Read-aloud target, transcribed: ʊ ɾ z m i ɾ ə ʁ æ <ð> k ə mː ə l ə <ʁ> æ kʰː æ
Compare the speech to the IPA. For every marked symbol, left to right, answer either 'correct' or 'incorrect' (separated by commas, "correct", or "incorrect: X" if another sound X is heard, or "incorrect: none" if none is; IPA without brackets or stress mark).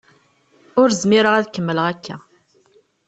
correct, correct